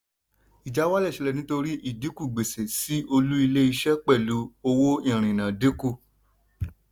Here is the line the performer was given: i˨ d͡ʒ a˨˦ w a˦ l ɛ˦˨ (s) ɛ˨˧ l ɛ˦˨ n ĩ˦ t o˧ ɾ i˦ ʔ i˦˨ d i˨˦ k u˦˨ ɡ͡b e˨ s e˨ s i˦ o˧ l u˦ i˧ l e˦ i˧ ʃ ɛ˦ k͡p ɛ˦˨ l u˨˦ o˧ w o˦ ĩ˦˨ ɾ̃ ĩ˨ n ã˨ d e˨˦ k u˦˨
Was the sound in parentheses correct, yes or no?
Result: no